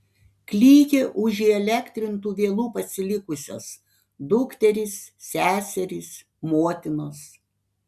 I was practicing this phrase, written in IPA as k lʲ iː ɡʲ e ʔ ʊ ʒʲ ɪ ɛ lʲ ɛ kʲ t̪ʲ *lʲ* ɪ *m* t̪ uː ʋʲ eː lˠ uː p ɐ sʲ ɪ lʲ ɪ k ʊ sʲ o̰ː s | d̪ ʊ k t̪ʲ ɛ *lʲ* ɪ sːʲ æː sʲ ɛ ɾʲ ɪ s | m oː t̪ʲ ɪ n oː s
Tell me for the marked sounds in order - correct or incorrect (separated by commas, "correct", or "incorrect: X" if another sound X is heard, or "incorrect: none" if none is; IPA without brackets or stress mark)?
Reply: incorrect: ɾʲ, incorrect: n, incorrect: ɾʲ